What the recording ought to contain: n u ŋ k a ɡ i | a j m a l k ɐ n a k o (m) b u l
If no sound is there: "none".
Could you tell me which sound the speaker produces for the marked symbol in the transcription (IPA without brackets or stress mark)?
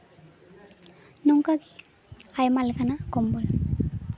m